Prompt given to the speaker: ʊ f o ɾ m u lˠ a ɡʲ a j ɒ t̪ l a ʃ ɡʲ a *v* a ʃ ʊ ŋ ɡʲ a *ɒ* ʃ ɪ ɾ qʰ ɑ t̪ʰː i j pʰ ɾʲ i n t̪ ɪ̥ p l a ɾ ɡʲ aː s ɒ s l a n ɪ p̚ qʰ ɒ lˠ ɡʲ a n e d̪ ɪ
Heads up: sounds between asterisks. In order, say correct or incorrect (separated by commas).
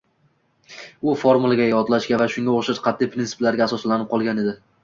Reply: correct, incorrect